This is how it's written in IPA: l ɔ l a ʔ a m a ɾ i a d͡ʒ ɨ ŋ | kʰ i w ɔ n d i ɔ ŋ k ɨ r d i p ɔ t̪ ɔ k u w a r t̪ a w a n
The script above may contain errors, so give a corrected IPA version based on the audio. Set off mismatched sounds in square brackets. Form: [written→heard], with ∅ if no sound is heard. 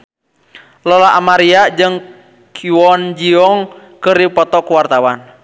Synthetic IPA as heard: l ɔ l a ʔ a m a ɾ i a d͡ʒ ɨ ŋ | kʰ i w ɔ n [d→d͡ʒ] i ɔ ŋ k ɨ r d i p ɔ t̪ ɔ k u w a r t̪ a w a n